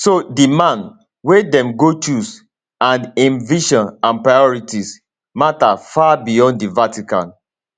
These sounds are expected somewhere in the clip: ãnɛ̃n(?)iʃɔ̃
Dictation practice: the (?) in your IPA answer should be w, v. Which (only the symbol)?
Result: v